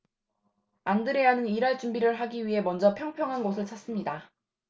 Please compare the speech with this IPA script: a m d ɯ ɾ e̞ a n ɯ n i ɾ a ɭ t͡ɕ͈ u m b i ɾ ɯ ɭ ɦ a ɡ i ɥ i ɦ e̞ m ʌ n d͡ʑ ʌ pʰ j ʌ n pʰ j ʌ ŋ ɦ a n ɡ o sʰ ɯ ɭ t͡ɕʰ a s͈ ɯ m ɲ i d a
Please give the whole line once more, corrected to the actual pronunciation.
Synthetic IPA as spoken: a n d ɯ ɾ e̞ a n ɯ n i ɾ a ɭ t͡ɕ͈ u m b i ɾ ɯ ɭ ɦ a ɡ i ɥ i ɦ e̞ m ʌ n d͡ʑ ʌ pʰ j ʌ ŋ pʰ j ʌ ŋ ɦ a n ɡ o sʰ ɯ ɭ t͡ɕʰ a s͈ ɯ m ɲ i d a